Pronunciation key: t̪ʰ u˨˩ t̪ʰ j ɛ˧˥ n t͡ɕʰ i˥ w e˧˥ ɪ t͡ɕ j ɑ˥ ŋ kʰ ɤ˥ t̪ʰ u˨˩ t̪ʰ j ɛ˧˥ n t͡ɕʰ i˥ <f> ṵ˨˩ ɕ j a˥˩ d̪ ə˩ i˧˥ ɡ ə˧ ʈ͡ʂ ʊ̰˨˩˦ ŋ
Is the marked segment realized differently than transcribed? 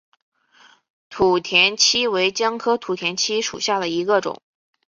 yes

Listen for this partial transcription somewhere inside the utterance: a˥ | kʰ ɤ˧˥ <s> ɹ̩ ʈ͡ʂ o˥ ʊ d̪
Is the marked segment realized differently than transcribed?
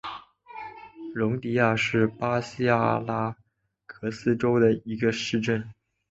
no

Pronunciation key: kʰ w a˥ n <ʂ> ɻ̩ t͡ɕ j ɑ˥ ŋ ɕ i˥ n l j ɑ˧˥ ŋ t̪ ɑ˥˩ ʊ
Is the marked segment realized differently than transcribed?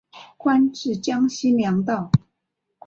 yes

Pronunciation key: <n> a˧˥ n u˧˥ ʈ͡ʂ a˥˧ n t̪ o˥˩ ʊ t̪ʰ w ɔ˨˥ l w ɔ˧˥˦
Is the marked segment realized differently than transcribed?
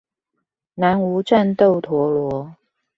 no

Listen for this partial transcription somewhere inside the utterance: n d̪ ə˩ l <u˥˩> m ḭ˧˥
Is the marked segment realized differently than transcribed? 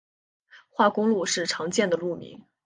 no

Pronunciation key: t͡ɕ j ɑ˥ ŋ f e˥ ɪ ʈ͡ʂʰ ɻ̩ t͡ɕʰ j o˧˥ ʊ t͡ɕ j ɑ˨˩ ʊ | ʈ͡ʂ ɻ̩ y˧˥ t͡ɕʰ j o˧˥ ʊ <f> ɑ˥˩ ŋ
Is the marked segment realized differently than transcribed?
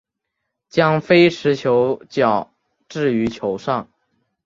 yes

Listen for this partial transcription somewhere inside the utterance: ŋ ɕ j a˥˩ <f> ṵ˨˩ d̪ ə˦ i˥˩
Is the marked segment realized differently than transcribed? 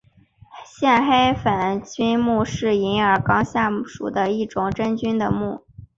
yes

